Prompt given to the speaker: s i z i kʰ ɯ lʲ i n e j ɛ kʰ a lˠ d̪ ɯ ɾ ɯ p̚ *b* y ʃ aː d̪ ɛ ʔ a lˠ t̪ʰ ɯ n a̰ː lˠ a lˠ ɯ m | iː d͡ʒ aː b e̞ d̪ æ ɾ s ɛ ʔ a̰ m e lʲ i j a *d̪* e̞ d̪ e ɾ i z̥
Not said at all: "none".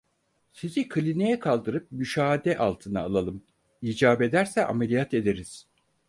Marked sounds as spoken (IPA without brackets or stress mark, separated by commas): m, t̪